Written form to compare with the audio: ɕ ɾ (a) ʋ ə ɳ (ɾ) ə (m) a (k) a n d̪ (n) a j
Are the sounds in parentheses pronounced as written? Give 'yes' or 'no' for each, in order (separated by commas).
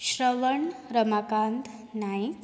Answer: no, yes, yes, yes, yes